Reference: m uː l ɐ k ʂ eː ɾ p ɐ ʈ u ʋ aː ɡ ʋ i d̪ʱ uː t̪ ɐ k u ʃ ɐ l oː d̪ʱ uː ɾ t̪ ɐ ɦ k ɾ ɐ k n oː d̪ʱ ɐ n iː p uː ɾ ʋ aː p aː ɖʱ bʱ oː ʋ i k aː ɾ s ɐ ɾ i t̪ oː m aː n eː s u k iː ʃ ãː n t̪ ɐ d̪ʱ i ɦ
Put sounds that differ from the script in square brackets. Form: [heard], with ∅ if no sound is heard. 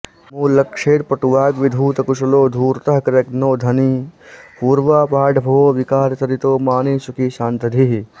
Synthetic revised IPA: m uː l ɐ k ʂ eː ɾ p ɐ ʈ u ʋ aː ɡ ʋ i d̪ʱ uː t̪ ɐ k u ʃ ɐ l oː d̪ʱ uː ɾ t̪ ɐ ɦ k ɾ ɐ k n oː d̪ʱ ɐ n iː p uː ɾ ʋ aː p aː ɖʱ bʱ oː ʋ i k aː ɾ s ɐ ɾ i t̪ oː m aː n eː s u k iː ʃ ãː n t̪ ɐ d̪ʱ i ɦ